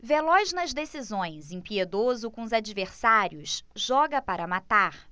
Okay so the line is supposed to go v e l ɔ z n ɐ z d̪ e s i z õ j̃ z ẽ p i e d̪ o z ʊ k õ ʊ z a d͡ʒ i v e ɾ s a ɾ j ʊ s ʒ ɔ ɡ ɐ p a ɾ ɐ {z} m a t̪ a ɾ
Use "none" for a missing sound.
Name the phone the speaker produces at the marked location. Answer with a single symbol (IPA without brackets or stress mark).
none